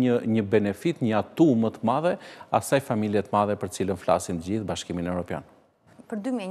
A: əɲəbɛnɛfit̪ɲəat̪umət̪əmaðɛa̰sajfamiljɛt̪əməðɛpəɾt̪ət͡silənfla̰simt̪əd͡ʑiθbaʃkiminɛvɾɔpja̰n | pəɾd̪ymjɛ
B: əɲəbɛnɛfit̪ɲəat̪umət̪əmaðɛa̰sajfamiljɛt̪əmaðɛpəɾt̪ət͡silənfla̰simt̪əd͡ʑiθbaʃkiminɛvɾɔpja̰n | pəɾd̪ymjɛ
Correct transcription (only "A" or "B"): B